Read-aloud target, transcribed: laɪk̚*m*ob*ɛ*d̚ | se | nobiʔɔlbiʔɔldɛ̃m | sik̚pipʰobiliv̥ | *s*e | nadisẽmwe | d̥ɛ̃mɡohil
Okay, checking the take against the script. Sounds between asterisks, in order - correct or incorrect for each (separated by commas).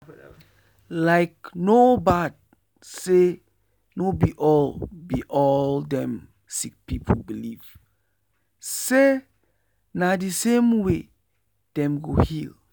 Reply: incorrect, incorrect, correct